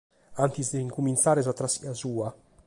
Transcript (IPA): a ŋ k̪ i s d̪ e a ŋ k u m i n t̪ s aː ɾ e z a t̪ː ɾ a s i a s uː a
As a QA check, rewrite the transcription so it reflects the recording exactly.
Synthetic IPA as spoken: a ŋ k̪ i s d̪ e i ŋ k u m i n t̪ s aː ɾ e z a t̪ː ɾ a s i a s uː a